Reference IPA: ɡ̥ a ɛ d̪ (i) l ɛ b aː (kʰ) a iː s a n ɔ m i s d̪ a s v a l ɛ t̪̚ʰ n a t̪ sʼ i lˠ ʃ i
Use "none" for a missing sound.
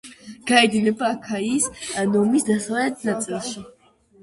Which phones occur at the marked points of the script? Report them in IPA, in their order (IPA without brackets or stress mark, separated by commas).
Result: i, kʰ